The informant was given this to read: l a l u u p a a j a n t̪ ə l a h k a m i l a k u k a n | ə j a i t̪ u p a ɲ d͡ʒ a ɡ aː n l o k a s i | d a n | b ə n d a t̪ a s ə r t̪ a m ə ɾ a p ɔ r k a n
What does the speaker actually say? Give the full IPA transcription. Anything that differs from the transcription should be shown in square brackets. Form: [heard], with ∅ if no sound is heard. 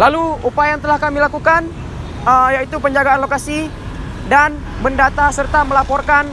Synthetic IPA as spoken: l a l u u p a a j a [ŋ] t̪ ə l a h k a m i l a k u k a n | ə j a i t̪ u p [ə] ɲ d͡ʒ a ɡ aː n l o k a s i | d a n | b ə n d a t̪ a s ə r t̪ a m ə [l] a p ɔ r k a n